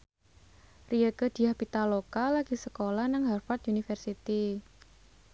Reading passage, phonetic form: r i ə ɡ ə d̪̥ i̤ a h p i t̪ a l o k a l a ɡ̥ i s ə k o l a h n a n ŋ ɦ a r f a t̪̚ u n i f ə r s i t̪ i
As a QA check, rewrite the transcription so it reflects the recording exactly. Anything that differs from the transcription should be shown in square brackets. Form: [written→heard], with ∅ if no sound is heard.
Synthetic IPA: r i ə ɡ ə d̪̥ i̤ a h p i t̪ a l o k a l a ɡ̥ i s ə k o l a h n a [n→∅] ŋ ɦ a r f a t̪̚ u n i f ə r s i t̪ i